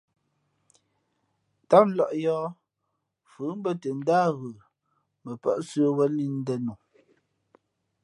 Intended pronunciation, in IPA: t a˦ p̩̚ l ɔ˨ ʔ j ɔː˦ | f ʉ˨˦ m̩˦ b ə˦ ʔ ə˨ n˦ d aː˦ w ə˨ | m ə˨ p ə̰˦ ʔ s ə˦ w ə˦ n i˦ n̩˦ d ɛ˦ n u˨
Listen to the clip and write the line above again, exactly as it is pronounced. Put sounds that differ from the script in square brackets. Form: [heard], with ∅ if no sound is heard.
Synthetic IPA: t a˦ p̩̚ l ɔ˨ ʔ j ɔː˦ | f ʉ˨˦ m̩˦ b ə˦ [t] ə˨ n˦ d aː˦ [ɣ] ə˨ | m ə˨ p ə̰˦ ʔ s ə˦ w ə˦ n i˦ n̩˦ d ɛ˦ n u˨